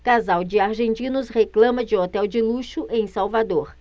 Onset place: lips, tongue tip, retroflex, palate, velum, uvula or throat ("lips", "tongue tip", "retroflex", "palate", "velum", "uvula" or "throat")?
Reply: velum